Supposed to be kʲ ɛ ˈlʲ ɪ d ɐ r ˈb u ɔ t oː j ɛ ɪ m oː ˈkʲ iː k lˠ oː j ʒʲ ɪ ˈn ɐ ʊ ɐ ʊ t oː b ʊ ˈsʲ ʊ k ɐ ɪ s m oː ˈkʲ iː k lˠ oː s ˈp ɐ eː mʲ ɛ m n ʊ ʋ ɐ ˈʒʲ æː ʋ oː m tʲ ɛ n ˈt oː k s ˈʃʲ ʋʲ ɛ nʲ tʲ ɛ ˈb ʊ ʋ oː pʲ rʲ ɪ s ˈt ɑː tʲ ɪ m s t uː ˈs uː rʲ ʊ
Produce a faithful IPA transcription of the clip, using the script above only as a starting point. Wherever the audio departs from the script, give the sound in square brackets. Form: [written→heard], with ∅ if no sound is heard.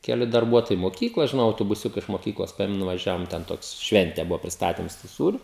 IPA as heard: kʲ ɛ ˈlʲ ɪ d ɐ r ˈb u ɔ t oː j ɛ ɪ m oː ˈkʲ iː k lˠ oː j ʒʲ ɪ ˈn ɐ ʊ ɐ ʊ t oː b ʊ ˈsʲ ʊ k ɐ ɪ [s→ʃ] m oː ˈkʲ iː k lˠ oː s ˈp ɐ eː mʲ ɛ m n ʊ ʋ ɐ ˈʒʲ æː ʋ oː m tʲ ɛ n ˈt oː k s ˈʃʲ ʋʲ ɛ nʲ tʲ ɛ ˈb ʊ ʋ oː pʲ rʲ ɪ s ˈt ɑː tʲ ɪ m s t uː ˈs uː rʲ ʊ

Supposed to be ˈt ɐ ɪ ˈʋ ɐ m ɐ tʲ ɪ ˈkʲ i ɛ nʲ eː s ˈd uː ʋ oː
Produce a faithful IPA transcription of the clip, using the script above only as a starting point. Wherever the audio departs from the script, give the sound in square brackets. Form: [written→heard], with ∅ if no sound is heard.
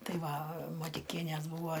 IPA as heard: ˈt ɐ ɪ ˈʋ ɐ m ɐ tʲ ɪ ˈkʲ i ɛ nʲ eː s [ˈd→ˈb] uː ʋ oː

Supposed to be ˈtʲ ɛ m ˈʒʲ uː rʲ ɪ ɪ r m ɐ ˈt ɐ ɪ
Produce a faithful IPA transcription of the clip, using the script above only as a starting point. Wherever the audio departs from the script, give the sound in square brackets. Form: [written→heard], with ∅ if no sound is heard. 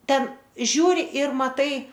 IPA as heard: ˈtʲ ɛ [m→n] ˈʒʲ uː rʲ ɪ ɪ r m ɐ ˈt ɐ ɪ

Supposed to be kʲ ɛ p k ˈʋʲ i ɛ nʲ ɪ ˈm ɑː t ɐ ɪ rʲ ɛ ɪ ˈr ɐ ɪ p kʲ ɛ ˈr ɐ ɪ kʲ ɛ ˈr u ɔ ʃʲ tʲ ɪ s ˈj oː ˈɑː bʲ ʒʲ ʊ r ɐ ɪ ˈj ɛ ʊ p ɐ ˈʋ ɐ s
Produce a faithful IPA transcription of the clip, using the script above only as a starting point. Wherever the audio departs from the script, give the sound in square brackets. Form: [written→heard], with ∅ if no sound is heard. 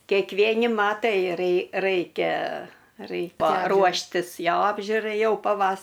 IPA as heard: kʲ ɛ [p→∅] k ˈʋʲ i ɛ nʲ ɪ ˈm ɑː t ɐ ɪ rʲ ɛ ɪ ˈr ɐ ɪ [p→∅] kʲ ɛ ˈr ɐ ɪ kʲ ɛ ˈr u ɔ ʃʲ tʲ ɪ s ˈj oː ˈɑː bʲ ʒʲ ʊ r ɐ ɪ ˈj ɛ ʊ p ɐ ˈʋ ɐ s

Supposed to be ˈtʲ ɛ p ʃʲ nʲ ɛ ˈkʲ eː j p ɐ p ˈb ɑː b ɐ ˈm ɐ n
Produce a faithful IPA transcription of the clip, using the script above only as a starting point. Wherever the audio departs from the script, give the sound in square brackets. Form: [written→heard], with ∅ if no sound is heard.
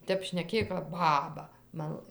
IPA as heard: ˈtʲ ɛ p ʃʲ nʲ ɛ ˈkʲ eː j [p→k] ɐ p ˈb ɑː b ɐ ˈm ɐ n

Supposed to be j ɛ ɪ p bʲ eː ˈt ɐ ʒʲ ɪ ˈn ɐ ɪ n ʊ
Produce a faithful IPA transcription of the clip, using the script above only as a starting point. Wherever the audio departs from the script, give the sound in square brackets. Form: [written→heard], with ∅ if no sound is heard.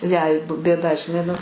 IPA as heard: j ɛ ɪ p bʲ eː [ˈt→ˈd] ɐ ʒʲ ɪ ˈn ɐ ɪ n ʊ

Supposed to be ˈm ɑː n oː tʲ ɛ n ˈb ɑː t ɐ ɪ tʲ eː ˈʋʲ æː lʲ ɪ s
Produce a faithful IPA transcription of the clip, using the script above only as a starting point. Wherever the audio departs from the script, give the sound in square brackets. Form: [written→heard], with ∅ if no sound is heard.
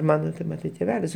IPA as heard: ˈm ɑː n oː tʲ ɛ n [ˈb→ˈm] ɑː t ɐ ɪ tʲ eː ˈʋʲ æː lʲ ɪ s

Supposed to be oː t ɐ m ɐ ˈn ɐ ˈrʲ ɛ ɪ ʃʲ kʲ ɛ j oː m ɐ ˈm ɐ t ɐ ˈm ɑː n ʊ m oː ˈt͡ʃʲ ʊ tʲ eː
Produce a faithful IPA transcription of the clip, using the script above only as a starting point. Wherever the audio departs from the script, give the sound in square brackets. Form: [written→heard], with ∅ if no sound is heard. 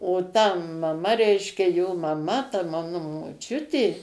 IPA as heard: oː t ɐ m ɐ [ˈn→ˈm] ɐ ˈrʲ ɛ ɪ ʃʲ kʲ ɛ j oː m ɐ ˈm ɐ t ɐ ˈm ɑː n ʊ m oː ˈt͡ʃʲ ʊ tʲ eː

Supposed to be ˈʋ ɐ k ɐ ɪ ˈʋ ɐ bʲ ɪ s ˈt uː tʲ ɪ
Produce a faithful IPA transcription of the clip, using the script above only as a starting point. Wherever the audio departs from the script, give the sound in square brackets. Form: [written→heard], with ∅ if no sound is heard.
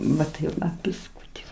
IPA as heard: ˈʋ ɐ [k→t] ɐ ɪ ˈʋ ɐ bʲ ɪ s [ˈt→ˈk] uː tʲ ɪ

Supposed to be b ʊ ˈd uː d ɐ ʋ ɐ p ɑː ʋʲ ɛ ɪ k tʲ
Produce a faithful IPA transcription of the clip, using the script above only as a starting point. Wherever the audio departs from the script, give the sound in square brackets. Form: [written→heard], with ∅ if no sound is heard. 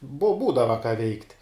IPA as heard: b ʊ [ˈd→ˈb] uː d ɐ ʋ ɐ [p→k] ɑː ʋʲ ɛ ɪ k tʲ

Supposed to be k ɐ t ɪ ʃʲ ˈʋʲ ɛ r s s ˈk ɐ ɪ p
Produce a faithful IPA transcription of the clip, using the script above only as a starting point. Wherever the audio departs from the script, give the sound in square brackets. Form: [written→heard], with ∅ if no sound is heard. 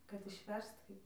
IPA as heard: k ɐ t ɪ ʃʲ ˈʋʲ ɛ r s [s→t] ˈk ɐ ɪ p

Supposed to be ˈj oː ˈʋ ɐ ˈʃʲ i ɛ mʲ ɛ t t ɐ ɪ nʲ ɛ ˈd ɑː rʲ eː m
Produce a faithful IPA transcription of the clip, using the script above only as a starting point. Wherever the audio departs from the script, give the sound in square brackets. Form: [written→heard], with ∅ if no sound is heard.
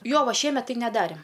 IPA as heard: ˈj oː ˈʋ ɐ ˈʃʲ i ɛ mʲ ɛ t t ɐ ɪ nʲ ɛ ˈd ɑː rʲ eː m

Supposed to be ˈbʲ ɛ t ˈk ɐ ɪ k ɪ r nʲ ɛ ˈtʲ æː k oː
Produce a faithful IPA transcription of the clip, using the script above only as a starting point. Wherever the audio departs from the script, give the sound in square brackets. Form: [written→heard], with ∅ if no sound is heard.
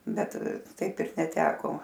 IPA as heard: ˈbʲ ɛ t [ˈk→ˈt] ɐ ɪ [k→p] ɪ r nʲ ɛ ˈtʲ æː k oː

